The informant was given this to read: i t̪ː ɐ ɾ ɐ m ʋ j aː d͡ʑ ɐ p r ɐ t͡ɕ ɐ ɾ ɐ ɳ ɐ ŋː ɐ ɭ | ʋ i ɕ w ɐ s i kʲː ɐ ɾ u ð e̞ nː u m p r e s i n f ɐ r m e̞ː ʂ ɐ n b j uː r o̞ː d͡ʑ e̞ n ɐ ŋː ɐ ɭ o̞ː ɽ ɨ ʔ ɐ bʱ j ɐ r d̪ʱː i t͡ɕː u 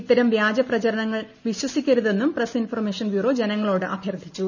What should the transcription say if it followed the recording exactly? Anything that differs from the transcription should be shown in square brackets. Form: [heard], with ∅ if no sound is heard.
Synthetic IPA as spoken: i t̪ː ɐ ɾ ɐ m ʋ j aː d͡ʑ ɐ p r ɐ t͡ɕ ɐ ɾ ɐ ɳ ɐ ŋː ɐ ɭ | ʋ i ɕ w ɐ s i kʲː ɐ ɾ u ð e̞ nː u m p r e s i n f ɐ r m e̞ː ʂ ɐ n b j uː r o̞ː d͡ʑ e̞ n ɐ ŋː ɐ ɭ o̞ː ɽ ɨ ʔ ɐ bʱ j ɐ r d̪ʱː i t͡ɕː u